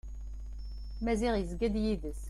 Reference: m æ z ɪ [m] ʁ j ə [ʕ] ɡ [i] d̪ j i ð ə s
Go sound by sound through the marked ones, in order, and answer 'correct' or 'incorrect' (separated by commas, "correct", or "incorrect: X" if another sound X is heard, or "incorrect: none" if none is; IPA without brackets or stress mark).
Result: incorrect: none, incorrect: z, incorrect: æ